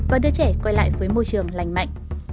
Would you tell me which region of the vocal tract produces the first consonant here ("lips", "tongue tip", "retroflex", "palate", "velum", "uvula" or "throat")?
lips